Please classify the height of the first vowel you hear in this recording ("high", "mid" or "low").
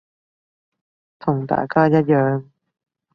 high